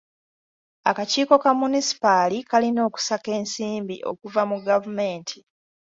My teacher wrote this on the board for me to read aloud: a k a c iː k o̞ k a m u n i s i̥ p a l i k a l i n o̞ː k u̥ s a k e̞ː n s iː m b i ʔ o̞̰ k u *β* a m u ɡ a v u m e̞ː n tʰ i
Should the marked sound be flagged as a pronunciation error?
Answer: yes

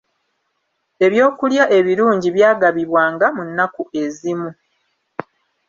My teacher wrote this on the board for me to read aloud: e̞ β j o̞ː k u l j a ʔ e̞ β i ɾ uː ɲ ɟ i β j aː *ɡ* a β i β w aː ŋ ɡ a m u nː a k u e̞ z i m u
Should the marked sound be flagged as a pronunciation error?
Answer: no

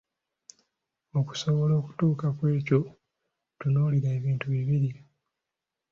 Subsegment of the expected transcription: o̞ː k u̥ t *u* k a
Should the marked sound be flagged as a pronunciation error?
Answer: yes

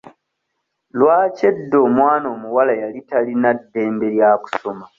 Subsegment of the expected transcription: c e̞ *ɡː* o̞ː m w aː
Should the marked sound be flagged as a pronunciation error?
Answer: yes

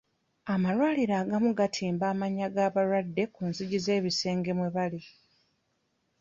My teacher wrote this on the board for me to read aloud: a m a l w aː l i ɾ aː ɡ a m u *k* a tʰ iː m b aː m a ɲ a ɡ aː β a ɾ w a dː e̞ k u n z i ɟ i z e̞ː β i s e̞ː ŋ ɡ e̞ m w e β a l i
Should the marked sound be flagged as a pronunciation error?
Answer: yes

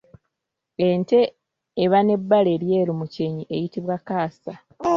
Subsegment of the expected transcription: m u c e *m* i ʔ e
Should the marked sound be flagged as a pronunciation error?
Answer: yes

